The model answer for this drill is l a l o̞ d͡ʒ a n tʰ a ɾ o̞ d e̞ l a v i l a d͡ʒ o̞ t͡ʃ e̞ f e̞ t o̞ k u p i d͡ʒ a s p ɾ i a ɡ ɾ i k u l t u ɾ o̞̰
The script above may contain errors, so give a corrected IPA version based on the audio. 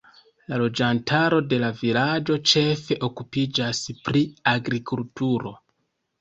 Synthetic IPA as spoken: l a l o̞ d͡ʒ a n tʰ a ɾ o̞ d e̞ l a v i l a d͡ʒ o̞ t͡ʃ e̞ f e̞ ʔ o̞ k u p i d͡ʒ a s p ɾ i a ɡ ɾ i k u l t u ɾ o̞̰